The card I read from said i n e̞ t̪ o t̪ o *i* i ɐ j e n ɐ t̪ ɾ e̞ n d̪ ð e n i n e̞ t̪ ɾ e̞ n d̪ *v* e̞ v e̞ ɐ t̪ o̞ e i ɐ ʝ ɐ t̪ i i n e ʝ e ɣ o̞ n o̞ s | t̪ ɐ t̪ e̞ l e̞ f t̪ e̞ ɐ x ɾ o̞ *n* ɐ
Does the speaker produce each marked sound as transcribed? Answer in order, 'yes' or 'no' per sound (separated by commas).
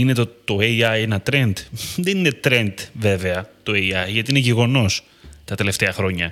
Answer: no, yes, no